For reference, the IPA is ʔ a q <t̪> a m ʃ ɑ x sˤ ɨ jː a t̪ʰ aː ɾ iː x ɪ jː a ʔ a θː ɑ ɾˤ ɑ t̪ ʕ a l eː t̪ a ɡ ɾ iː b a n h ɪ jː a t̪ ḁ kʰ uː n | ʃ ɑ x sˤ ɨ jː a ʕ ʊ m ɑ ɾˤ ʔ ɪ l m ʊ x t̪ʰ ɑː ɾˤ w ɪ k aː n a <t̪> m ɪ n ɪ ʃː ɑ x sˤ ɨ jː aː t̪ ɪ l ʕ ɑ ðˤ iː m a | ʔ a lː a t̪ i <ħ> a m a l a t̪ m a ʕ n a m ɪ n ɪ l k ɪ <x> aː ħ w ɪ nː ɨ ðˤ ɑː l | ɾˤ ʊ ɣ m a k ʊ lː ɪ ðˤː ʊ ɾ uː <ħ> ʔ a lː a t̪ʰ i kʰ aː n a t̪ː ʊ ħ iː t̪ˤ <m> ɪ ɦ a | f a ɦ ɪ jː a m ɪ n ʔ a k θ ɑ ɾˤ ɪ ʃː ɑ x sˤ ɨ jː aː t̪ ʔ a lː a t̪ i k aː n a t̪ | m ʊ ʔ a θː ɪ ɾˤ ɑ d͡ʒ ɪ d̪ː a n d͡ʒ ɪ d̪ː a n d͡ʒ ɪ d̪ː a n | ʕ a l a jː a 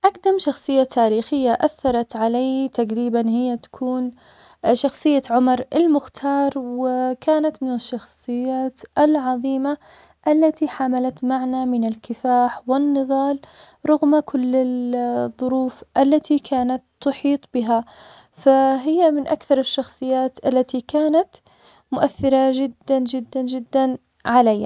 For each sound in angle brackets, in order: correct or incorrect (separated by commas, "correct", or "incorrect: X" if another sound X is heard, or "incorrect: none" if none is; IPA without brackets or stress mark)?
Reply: incorrect: d̪, correct, correct, incorrect: f, incorrect: f, incorrect: b